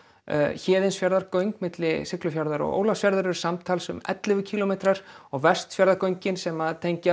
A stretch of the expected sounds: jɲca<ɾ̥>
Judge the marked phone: incorrect: none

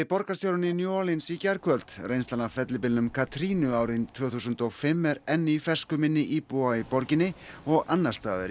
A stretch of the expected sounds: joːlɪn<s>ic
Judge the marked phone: correct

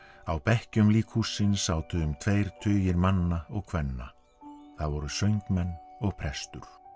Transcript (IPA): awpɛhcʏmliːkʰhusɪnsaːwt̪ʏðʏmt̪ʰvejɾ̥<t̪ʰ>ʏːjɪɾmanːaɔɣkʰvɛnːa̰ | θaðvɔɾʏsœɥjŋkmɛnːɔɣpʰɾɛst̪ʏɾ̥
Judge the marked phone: correct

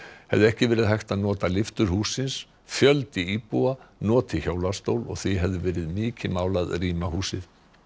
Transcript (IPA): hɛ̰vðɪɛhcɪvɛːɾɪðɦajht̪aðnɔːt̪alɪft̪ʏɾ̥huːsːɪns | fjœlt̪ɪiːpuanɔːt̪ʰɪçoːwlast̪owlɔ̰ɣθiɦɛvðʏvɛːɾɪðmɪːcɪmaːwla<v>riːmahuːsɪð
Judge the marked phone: incorrect: ð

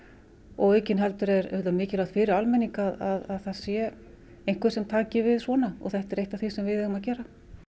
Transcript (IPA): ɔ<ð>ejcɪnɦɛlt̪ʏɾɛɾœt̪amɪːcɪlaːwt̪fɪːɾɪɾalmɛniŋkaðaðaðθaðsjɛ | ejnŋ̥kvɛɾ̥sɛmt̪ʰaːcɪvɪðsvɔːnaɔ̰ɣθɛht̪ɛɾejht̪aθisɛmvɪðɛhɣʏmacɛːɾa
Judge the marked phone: incorrect: ɣ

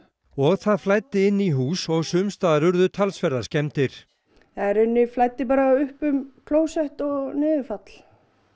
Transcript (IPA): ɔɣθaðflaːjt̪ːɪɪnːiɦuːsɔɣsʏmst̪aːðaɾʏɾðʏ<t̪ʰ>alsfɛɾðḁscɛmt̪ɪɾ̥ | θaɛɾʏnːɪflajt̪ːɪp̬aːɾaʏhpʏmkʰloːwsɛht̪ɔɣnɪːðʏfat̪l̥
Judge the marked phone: correct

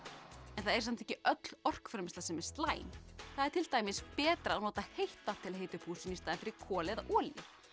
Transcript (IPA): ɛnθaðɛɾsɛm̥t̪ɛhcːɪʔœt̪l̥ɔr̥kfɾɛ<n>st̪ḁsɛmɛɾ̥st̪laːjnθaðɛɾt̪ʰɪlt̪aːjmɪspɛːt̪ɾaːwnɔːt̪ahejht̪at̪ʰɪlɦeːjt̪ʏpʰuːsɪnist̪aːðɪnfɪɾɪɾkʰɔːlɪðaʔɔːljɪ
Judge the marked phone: incorrect: m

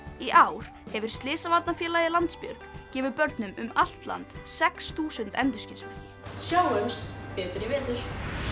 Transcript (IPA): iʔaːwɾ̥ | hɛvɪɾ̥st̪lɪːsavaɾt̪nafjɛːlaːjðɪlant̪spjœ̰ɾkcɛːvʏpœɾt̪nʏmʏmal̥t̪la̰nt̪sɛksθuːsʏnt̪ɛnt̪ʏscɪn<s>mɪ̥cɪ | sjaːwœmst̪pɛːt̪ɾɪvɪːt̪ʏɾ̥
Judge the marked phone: correct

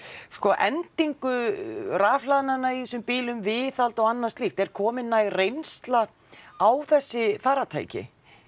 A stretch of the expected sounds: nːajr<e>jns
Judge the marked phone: correct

